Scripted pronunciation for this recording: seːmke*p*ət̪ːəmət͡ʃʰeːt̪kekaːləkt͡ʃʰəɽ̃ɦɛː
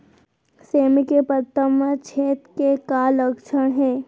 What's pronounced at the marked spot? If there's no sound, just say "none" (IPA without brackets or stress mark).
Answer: p